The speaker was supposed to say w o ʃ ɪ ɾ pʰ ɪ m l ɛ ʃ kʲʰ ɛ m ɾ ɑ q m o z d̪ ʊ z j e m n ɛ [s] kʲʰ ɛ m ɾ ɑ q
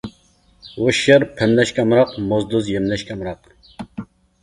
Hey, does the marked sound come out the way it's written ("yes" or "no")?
no